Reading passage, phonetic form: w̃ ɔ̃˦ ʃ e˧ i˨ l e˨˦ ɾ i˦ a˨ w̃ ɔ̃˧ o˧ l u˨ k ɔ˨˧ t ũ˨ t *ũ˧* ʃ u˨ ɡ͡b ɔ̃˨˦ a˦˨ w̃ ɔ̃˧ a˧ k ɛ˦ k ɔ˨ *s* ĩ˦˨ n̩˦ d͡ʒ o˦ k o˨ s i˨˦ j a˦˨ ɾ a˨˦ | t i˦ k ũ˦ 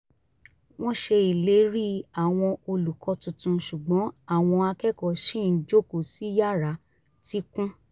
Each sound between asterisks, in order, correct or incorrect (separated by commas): correct, incorrect